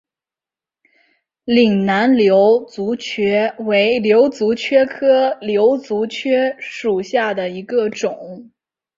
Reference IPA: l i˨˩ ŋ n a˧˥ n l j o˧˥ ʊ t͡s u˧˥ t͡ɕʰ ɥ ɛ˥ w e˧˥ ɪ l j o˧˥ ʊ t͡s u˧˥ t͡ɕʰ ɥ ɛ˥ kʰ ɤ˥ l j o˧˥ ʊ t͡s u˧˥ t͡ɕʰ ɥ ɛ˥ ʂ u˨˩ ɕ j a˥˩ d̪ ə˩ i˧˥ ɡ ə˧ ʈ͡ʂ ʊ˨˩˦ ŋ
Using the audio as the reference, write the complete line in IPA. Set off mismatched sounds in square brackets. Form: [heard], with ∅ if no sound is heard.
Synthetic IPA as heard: l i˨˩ ŋ n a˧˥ n l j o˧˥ ʊ t͡s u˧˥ t͡ɕʰ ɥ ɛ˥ w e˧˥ ɪ l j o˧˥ ʊ t͡s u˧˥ t͡ɕʰ ɥ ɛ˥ kʰ ɤ˥ l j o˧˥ ʊ t͡s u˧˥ t͡ɕʰ ɥ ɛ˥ ʂ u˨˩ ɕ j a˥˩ d̪ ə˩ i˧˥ ɡ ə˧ ʈ͡ʂ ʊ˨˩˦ ŋ

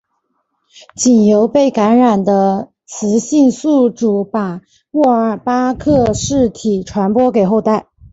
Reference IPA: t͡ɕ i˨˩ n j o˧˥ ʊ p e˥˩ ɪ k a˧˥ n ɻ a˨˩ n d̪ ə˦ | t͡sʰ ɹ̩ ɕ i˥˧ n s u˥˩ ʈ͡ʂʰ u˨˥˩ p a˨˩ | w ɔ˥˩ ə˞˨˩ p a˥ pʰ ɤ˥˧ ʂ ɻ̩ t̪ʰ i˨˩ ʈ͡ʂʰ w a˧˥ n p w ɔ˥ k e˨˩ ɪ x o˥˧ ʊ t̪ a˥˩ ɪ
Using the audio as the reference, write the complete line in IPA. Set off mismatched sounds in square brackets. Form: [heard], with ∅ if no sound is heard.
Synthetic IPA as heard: t͡ɕ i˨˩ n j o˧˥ ʊ p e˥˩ ɪ k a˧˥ n ɻ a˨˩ n d̪ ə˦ | t͡sʰ ɹ̩ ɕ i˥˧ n s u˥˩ [ʈ͡ʂ] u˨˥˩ p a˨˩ | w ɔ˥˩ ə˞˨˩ p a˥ [kʰ] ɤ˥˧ ʂ ɻ̩ t̪ʰ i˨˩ ʈ͡ʂʰ w a˧˥ n p w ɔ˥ k e˨˩ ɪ x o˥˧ ʊ t̪ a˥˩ ɪ

